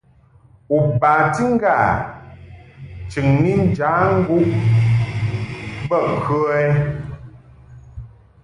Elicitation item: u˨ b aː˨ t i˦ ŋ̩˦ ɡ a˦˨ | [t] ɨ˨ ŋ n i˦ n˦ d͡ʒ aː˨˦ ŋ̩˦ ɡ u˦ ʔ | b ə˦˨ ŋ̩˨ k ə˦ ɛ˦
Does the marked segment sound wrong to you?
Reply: yes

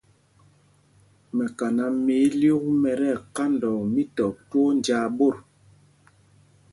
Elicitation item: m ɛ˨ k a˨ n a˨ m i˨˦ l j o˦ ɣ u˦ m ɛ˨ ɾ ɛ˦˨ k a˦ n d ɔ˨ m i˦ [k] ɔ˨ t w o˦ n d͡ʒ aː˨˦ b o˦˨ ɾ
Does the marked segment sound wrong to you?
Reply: yes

